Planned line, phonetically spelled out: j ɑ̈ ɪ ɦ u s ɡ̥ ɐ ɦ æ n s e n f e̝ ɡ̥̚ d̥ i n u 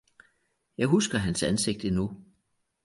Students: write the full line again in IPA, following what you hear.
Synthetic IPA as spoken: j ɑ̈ ɪ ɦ u s ɡ̥ ɐ ɦ æ n s æ n s e̝ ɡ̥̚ d̥ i n u